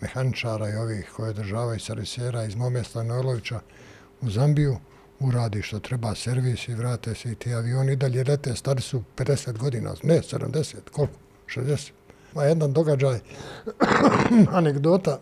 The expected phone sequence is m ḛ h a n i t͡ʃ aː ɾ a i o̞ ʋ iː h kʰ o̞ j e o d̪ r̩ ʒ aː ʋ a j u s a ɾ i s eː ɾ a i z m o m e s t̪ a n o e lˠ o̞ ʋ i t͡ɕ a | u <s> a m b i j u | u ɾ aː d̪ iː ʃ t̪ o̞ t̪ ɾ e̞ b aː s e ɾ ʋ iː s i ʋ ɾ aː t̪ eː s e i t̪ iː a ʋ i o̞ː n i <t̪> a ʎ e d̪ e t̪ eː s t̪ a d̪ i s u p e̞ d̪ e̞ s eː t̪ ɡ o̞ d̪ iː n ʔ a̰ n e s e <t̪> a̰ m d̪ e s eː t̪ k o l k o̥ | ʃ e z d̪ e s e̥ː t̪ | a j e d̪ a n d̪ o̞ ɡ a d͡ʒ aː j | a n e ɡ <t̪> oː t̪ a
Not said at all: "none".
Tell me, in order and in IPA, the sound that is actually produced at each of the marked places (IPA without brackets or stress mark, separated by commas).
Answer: z, d̪, d̪, d̪